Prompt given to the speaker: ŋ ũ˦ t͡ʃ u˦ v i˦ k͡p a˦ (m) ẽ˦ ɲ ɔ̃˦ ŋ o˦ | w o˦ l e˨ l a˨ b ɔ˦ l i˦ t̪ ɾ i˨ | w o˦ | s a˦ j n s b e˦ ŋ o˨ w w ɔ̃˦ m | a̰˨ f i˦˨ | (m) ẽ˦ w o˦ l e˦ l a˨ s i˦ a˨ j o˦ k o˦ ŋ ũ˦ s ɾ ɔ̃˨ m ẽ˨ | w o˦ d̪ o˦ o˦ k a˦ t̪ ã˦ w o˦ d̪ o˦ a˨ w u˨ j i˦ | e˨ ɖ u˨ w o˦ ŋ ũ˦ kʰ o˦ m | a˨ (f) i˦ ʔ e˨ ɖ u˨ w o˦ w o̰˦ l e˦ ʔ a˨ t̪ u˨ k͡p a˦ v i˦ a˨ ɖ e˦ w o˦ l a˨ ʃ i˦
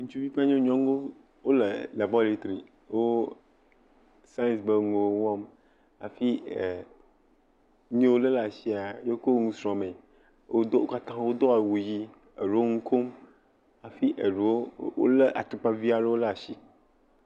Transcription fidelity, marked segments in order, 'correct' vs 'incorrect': incorrect: ɲ, incorrect: ɲ, correct

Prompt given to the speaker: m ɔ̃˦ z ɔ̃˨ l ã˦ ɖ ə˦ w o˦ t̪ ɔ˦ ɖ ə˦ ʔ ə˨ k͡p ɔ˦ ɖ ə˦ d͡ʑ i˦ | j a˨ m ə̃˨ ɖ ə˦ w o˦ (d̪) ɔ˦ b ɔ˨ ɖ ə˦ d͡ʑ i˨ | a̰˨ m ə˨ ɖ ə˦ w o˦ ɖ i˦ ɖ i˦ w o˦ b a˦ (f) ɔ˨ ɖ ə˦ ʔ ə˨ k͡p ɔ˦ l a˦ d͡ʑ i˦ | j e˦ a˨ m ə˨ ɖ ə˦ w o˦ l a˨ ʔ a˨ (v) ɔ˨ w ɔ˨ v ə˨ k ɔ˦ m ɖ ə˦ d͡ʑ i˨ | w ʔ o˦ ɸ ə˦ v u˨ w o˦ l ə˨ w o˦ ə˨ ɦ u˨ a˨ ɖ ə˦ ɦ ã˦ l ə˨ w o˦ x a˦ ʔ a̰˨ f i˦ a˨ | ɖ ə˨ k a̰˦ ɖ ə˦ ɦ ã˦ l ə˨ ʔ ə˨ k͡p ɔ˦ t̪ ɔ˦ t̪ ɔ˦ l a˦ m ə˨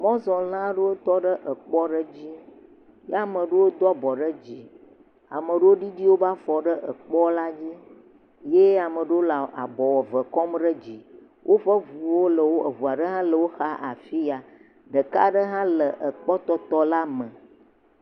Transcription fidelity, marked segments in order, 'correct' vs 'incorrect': correct, correct, incorrect: b

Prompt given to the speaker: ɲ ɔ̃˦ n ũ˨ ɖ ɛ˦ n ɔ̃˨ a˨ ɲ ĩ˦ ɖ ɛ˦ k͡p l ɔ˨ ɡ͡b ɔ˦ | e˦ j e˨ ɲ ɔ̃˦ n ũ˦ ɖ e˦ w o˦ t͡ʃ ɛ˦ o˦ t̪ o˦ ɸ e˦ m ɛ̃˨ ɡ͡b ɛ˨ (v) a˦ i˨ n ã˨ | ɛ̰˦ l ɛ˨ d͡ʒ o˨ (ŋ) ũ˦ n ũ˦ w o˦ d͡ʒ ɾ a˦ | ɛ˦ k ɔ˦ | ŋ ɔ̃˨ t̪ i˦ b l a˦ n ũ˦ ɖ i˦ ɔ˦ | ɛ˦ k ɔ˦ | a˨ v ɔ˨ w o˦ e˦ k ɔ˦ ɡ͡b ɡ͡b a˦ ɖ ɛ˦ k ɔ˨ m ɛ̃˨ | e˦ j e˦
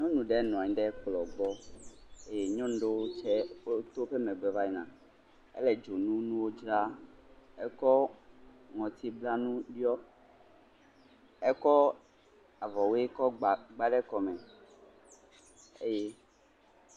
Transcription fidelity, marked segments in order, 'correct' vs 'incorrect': correct, incorrect: n

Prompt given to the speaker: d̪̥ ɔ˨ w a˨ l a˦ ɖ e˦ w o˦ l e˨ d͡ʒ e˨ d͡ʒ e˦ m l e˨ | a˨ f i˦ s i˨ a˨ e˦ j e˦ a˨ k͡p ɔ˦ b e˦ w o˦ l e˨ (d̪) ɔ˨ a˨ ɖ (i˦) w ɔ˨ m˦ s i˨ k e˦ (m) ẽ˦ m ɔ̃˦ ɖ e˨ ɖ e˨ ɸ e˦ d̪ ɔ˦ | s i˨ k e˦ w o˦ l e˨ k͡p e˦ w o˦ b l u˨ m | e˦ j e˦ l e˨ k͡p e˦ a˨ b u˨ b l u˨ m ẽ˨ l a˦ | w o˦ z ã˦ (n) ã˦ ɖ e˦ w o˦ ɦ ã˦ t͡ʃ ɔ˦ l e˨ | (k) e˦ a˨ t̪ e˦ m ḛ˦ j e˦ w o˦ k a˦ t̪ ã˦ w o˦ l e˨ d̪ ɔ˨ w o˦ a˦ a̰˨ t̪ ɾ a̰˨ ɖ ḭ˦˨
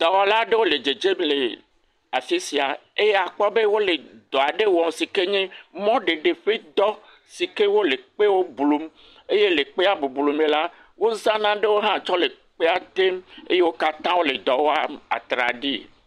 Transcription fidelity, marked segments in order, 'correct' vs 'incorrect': correct, incorrect: e˦, incorrect: ɲ, correct, incorrect: k͡p

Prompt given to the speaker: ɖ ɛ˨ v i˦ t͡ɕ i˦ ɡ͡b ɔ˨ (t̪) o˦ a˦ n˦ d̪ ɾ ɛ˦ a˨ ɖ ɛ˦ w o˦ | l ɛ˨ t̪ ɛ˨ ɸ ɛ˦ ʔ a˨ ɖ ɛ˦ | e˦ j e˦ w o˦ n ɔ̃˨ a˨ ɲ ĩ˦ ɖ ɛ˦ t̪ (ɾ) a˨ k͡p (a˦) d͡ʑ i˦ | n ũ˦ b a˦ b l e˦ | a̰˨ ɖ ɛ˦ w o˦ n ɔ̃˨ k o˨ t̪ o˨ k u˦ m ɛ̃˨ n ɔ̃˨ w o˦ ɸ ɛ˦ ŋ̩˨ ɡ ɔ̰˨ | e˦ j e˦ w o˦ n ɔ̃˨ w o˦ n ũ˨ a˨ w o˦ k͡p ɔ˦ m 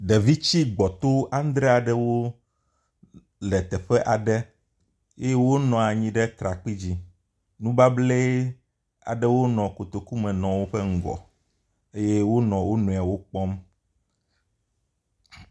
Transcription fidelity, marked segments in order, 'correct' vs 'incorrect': correct, correct, incorrect: i˦

